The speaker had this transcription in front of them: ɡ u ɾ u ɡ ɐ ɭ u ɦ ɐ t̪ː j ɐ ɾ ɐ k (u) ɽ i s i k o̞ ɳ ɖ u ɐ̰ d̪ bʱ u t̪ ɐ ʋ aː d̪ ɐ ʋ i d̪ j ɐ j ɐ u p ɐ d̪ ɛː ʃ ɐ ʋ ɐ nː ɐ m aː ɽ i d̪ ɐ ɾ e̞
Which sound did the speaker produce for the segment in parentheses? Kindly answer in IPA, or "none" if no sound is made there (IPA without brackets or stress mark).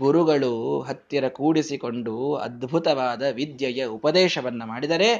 uː